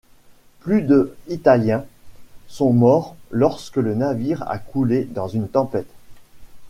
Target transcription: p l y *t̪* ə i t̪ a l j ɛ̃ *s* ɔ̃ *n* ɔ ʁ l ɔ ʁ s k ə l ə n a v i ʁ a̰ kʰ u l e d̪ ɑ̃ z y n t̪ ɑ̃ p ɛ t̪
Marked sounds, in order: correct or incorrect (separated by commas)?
incorrect, correct, incorrect